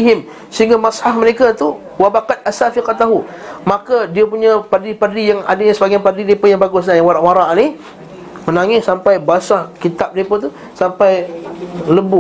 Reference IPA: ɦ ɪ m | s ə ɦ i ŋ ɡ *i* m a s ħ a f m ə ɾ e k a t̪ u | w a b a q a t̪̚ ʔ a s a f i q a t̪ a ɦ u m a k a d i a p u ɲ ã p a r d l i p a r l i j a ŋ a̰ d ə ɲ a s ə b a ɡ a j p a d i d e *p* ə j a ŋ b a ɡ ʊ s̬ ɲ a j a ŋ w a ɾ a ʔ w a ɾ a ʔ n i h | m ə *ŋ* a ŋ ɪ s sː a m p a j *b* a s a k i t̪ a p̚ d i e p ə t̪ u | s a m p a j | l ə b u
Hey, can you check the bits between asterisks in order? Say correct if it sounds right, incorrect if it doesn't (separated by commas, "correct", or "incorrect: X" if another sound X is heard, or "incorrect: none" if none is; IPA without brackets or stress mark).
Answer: incorrect: a, correct, incorrect: n, correct